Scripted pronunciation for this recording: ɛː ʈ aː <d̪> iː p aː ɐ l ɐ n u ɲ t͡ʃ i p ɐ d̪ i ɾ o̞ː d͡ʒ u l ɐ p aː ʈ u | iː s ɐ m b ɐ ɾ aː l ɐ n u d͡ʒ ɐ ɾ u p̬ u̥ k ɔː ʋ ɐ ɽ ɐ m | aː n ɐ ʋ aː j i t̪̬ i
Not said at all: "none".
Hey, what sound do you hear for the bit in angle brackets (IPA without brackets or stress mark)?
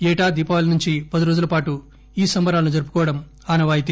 d̪